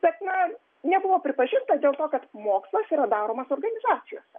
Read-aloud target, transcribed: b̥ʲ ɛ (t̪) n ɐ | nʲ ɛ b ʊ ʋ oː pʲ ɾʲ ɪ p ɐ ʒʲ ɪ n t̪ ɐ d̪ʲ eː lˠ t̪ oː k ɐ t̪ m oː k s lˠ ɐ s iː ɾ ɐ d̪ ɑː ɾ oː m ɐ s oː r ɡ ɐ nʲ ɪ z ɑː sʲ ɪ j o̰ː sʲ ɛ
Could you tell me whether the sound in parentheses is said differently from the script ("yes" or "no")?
no